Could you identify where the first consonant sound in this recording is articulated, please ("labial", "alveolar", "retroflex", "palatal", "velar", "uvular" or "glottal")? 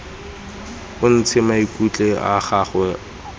alveolar